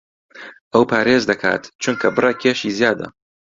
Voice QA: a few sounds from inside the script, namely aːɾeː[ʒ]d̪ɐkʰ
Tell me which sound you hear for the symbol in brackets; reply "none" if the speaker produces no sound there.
z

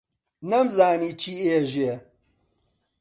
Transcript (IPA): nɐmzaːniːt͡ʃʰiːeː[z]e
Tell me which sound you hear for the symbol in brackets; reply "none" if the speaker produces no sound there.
ʒ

